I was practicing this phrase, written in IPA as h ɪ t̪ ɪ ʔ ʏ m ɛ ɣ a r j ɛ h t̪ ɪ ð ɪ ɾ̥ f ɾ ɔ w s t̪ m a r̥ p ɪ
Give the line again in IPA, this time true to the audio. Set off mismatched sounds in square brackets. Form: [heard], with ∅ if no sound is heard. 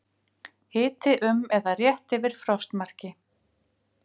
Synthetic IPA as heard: h [ɪː] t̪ ɪ ʔ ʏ m ɛ [ð] a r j ɛ h t̪ ɪ [v] ɪ ɾ̥ f ɾ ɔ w s t̪ m a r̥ [c] ɪ